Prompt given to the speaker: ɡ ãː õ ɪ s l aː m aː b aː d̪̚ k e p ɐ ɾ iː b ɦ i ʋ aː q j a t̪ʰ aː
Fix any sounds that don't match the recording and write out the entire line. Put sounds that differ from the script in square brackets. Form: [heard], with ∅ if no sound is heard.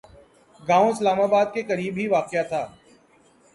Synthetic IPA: ɡ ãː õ ɪ s l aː m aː b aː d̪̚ k e [k] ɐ ɾ iː b ɦ i ʋ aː q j a t̪ʰ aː